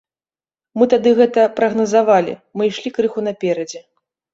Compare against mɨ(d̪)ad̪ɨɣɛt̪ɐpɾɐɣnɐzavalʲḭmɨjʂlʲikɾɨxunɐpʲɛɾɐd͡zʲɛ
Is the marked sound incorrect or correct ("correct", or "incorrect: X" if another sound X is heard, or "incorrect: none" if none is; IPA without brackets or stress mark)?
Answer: incorrect: t̪